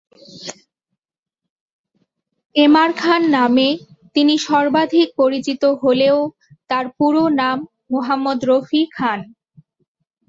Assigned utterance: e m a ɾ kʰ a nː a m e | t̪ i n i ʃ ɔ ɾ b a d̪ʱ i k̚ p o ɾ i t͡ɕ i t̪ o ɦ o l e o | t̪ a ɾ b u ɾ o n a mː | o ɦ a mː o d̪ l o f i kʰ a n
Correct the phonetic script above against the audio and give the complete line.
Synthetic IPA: e m a ɾ kʰ a nː a m e | t̪ i n i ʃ ɔ ɾ b a d̪ʱ i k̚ p o ɾ i t͡ɕ i t̪ o ɦ o l e o | t̪ a ɾ p u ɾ o n a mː | o ɦ a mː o d̪ ɾ o f i kʰ a n